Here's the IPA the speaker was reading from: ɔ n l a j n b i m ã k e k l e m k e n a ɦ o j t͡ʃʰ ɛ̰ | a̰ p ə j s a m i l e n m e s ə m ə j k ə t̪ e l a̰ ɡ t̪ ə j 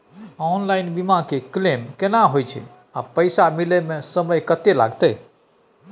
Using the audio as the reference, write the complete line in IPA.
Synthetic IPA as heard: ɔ n l a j n b i m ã k e k l e m k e n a ɦ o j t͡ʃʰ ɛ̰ | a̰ p ə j s a m i l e m e s ə m ə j k ə t̪ e l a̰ ɡ t̪ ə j